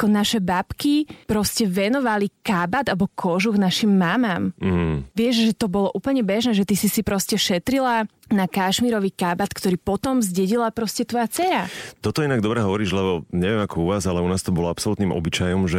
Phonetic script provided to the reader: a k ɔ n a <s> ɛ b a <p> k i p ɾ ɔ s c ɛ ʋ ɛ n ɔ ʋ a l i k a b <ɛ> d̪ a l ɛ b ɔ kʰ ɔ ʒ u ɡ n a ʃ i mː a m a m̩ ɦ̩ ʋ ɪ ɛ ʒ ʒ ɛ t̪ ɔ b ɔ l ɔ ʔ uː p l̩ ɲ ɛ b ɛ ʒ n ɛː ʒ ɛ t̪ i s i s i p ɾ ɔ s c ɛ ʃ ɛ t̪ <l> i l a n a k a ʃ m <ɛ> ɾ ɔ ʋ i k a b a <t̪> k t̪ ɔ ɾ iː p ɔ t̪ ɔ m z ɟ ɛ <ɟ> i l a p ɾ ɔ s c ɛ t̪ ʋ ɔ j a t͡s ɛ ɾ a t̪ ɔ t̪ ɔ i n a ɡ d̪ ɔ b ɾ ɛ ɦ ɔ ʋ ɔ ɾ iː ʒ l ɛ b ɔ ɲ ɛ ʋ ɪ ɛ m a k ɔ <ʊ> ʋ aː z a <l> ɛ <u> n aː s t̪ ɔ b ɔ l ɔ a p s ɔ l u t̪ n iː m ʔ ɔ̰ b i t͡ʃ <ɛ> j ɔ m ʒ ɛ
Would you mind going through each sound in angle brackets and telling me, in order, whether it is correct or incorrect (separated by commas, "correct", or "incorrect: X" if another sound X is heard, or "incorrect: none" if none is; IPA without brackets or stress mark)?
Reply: incorrect: ʃ, correct, incorrect: a, incorrect: ɾ, incorrect: i, correct, correct, incorrect: u, correct, correct, incorrect: a